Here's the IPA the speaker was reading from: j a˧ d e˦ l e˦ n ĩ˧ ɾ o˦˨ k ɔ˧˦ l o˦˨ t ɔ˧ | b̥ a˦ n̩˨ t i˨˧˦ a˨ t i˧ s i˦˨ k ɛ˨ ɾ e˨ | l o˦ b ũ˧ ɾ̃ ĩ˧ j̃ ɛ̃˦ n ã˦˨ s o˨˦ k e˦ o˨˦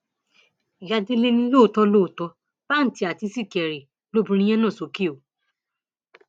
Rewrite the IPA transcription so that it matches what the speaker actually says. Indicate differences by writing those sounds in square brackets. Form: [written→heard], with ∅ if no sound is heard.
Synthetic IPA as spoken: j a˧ d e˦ l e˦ n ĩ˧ [ɾ→l] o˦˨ [k→t] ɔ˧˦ l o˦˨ t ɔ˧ | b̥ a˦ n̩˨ t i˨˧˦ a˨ t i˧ s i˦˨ k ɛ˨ ɾ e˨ | l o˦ b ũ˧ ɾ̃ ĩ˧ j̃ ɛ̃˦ n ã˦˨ s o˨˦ k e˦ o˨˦